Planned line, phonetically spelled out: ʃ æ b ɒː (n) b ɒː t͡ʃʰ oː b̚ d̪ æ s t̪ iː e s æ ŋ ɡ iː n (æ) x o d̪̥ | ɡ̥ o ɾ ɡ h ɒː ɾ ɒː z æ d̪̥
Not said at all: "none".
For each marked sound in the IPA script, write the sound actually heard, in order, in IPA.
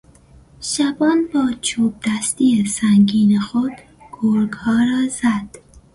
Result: n, e

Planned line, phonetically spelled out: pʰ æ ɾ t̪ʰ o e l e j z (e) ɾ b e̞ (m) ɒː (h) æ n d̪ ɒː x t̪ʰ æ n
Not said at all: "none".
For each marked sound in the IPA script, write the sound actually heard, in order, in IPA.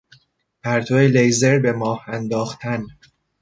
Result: e, m, h

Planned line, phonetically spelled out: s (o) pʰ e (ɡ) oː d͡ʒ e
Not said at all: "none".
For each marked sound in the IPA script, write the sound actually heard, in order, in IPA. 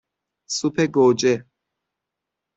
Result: u, ɡ

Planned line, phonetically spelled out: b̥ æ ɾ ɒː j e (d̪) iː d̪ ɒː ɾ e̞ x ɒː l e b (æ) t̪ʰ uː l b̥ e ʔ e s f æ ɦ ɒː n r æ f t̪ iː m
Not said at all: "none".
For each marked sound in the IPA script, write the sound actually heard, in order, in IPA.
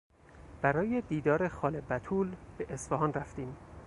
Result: d̪, æ

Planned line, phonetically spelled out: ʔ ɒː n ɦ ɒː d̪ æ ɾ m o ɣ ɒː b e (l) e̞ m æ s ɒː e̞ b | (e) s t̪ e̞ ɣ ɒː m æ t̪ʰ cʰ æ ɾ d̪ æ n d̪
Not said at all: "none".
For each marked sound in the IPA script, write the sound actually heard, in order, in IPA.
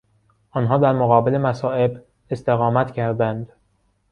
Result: l, e

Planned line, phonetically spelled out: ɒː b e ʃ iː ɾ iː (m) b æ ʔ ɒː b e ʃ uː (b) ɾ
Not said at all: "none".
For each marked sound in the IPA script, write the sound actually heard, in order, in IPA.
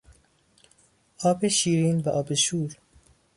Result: n, none

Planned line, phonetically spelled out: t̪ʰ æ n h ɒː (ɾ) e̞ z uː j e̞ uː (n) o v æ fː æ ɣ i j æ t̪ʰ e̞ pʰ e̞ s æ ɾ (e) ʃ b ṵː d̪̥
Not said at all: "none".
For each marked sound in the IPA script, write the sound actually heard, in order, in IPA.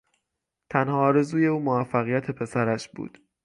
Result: ɾ, m, æ

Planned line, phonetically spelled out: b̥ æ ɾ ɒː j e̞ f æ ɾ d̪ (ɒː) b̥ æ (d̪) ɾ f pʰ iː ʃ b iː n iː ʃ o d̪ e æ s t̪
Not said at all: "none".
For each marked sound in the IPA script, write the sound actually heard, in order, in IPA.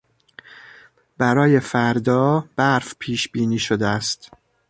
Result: ɒː, none

